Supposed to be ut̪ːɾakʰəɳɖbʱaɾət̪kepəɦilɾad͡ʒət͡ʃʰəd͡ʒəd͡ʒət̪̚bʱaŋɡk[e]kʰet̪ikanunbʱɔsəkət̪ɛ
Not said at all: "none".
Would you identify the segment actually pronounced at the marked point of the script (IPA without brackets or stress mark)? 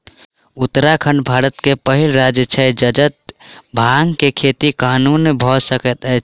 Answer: e